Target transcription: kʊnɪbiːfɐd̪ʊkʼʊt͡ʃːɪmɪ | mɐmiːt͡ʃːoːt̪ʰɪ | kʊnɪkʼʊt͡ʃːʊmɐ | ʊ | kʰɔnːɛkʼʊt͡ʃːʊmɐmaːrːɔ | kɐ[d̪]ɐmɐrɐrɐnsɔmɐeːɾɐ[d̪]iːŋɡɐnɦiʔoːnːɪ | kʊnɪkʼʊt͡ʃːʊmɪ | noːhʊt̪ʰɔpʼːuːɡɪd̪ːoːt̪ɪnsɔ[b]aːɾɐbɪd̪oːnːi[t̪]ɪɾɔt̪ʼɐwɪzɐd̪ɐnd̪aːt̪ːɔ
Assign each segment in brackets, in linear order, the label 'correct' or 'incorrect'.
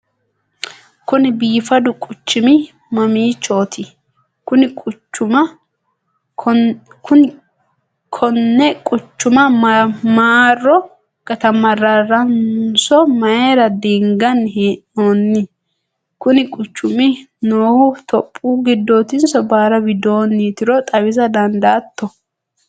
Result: incorrect: t̪, correct, correct, correct

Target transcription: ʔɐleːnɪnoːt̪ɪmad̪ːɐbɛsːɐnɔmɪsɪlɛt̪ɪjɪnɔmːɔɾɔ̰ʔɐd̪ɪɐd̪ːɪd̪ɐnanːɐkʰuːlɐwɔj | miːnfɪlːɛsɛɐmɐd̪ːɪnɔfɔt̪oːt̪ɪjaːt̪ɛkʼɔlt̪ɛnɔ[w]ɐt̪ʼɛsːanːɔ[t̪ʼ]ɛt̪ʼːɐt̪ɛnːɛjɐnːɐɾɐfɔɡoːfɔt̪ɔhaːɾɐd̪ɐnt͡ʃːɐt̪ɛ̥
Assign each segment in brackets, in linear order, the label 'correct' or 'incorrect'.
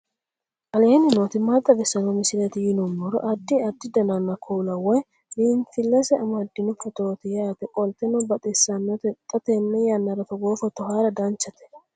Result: incorrect: b, incorrect: t̪

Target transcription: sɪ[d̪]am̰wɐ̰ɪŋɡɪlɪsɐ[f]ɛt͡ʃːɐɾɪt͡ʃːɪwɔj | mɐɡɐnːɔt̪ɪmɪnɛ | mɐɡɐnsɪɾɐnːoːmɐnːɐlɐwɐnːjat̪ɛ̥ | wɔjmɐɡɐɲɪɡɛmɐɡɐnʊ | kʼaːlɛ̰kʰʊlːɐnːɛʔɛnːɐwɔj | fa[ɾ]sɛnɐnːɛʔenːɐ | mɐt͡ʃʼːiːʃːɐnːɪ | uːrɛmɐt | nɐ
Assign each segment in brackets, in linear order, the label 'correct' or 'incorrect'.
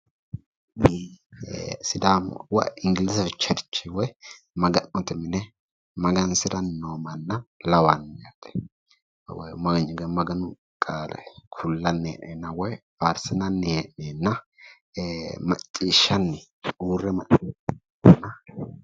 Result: correct, correct, correct

